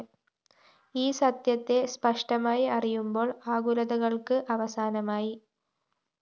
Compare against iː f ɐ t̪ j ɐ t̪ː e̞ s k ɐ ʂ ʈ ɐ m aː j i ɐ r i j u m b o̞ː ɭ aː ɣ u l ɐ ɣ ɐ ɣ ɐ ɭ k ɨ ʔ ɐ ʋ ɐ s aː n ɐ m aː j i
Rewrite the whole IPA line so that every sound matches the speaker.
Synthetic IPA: iː s ɐ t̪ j ɐ t̪ː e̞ s p ɐ ʂ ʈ ɐ m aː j i ɐ r i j u m b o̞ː ɭ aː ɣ u l ɐ ð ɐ ɣ ɐ ɭ k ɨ ʔ ɐ ʋ ɐ s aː n ɐ m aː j i